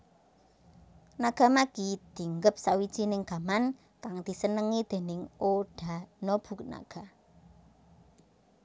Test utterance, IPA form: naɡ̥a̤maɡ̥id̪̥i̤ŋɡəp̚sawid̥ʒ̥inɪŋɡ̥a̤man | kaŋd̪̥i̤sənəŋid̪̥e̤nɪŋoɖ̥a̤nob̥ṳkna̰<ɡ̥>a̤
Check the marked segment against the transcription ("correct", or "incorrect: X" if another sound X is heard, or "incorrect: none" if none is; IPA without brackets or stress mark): correct